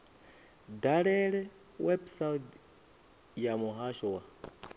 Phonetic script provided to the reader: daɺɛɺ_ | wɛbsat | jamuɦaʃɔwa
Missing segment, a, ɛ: ɛ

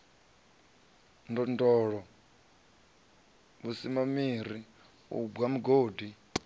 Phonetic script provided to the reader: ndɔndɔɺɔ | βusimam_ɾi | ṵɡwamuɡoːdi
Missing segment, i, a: i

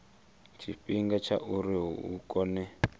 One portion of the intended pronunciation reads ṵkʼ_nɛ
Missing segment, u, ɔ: ɔ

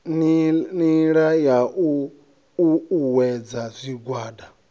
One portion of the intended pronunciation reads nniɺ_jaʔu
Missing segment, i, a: a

